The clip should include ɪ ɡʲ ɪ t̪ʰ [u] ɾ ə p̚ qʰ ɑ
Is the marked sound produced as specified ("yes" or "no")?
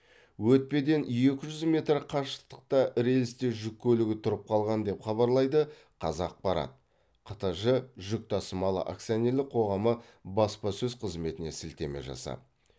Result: no